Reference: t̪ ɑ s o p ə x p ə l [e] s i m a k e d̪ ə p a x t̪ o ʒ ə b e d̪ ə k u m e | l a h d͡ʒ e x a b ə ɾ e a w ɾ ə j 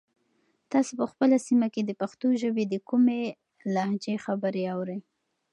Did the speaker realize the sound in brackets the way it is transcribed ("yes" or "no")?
no